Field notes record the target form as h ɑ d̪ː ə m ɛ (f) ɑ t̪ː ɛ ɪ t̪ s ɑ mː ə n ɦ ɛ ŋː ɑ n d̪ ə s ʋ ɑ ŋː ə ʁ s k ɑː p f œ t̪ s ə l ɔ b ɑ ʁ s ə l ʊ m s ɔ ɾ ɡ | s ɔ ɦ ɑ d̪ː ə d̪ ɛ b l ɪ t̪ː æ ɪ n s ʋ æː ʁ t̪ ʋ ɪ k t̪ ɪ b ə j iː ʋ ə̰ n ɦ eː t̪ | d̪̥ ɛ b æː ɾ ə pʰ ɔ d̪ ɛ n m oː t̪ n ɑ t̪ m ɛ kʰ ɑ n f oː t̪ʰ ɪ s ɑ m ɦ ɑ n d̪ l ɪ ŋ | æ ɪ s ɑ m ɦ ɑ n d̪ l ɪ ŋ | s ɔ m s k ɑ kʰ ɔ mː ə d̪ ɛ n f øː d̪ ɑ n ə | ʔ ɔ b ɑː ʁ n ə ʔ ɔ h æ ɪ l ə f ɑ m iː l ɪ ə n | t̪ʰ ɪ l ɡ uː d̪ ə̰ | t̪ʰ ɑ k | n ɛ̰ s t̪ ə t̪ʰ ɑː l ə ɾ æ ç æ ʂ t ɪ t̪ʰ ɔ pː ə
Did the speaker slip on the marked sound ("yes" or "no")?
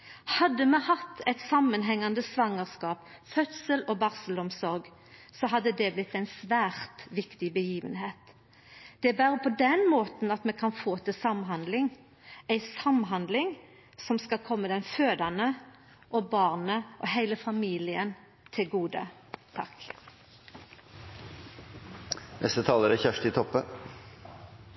yes